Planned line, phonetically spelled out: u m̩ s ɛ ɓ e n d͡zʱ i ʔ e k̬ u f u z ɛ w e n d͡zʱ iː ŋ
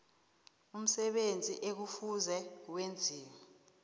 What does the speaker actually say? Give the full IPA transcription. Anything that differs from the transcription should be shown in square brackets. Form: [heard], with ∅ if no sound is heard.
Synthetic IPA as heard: u m̩ s ɛ ɓ e n d͡zʱ i ʔ e k̬ u f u z ɛ w e n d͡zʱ iː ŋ